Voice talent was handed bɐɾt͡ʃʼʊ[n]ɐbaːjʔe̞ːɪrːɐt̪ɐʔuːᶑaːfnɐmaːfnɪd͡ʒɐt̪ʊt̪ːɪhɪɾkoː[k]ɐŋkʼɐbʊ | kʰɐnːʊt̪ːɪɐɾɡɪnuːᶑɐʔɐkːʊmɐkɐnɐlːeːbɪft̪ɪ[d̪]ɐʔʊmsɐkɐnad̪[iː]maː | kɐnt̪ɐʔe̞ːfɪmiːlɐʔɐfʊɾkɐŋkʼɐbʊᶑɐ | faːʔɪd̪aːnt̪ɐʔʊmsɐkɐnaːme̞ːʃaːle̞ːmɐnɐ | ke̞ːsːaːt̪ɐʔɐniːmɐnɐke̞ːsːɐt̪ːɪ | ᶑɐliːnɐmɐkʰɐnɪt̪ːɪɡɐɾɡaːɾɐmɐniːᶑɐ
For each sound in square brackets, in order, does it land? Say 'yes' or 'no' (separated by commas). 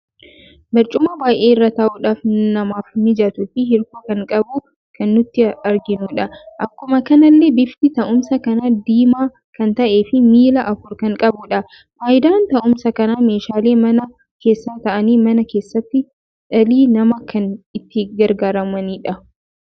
no, yes, no, yes